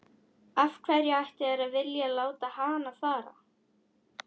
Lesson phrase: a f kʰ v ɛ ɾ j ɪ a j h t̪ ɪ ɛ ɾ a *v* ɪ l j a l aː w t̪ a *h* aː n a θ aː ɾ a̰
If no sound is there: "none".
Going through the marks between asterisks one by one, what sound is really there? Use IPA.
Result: v, h

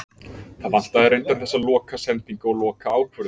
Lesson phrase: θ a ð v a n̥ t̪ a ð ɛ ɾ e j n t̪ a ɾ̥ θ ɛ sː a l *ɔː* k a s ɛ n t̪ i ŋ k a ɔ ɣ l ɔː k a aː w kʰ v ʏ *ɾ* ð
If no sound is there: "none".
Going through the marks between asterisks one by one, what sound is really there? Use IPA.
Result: ɔː, ɾ

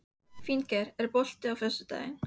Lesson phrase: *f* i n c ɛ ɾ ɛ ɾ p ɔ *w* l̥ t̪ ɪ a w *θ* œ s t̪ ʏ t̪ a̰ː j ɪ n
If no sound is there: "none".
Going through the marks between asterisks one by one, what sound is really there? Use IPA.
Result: f, none, f

